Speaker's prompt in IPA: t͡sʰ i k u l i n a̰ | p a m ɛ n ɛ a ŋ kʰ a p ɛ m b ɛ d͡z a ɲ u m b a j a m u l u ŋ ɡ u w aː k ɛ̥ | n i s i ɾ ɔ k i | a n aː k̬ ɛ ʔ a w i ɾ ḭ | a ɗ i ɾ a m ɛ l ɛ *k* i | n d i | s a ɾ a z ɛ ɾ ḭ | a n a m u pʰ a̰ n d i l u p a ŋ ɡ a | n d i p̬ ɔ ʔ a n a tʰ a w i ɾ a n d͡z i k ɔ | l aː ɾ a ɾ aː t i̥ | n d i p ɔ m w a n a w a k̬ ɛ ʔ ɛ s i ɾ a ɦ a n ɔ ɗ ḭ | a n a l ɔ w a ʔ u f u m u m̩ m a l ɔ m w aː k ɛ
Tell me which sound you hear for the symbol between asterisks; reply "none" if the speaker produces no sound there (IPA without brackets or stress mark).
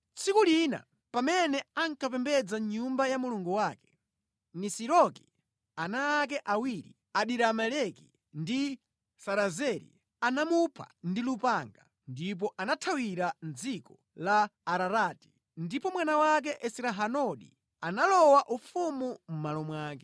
k